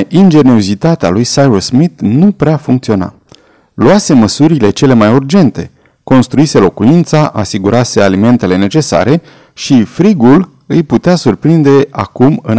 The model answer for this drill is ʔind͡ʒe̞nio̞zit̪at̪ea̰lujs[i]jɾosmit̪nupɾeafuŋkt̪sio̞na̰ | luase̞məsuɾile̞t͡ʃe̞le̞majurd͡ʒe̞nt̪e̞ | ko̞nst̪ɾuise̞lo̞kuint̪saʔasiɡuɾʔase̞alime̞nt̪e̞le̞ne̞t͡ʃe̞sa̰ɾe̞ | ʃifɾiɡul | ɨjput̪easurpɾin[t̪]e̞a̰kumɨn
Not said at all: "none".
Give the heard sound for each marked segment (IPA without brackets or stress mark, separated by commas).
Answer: a, d̪